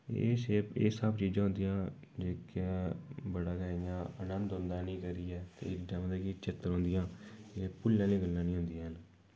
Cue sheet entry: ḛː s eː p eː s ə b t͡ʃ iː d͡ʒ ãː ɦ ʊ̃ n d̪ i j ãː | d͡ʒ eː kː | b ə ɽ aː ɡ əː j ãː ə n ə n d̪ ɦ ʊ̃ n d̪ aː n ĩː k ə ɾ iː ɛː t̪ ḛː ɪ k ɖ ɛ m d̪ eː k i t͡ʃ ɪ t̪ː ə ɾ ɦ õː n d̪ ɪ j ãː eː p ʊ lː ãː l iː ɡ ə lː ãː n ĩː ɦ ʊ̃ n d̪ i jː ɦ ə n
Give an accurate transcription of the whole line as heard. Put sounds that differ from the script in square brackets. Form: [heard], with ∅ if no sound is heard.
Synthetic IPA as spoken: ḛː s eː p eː s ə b t͡ʃ iː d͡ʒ ãː ɦ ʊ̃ n d̪ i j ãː | d͡ʒ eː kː | b ə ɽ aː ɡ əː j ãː ə n ə n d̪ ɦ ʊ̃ n d̪ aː n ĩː k ə ɾ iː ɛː t̪ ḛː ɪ k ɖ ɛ m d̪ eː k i t͡ʃ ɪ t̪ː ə ɾ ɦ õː n d̪ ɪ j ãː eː p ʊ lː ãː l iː ɡ ə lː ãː n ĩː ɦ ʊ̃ n d̪ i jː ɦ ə n